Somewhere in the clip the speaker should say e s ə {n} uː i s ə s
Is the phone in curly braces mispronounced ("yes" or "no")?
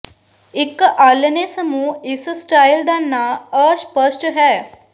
yes